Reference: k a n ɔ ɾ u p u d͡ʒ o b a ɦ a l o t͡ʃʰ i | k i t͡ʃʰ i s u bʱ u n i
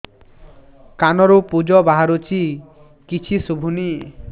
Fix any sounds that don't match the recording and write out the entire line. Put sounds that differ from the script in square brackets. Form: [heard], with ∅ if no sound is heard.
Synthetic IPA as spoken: k a n ɔ ɾ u p u d͡ʒ [ɔ] b a ɦ a [ɾ] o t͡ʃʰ i | k i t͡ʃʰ i s u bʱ u n i